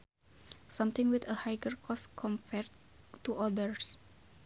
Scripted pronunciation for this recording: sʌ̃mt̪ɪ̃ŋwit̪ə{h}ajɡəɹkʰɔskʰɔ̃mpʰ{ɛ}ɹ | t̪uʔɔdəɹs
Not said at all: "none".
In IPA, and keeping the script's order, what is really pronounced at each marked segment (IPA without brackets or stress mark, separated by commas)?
h, ɛ